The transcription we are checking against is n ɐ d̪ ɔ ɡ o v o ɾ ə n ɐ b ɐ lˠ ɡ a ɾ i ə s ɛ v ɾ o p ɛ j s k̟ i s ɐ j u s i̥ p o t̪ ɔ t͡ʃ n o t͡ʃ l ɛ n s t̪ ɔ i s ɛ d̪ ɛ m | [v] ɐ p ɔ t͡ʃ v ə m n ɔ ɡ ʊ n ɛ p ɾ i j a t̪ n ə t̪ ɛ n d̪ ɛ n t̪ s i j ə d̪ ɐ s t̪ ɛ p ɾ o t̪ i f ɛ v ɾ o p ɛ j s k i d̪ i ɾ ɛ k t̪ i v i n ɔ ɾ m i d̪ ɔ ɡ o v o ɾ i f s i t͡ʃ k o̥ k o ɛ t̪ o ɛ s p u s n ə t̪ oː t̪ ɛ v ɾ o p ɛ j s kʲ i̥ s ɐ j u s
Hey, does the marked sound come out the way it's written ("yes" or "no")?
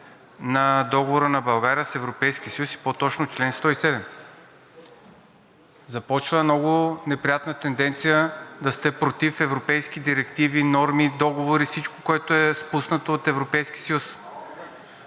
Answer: no